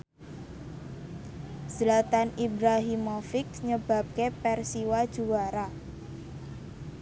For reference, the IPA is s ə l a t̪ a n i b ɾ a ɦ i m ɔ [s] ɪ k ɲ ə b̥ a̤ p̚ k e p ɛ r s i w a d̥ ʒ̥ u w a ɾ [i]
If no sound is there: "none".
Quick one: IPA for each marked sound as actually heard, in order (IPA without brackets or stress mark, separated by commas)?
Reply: f, a